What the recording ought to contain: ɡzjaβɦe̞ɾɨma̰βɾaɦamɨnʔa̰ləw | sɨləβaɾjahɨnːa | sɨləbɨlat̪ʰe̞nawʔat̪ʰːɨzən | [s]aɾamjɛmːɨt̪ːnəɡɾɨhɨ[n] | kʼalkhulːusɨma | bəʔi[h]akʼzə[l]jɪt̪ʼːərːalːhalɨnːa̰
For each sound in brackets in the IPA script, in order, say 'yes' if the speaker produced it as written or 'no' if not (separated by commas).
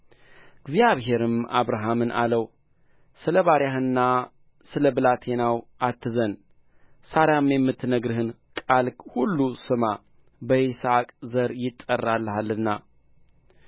yes, yes, no, no